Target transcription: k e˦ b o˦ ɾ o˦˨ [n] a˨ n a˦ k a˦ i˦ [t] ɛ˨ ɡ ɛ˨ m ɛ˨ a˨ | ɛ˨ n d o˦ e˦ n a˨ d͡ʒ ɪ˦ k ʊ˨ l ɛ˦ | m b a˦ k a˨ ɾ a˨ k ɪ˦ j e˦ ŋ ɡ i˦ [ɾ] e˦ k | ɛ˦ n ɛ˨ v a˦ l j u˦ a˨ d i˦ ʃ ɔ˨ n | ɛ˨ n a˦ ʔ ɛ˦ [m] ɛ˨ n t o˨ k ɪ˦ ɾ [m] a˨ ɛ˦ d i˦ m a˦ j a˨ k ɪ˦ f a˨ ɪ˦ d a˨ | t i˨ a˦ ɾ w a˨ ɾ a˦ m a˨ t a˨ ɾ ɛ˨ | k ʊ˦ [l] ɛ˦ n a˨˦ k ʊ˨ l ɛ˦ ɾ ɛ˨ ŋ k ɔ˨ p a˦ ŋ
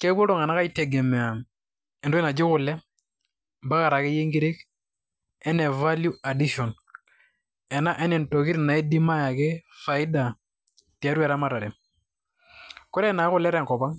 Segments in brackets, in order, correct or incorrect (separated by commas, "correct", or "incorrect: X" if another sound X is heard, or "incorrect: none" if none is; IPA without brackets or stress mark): incorrect: ŋ, correct, correct, incorrect: n, incorrect: n, incorrect: ɾ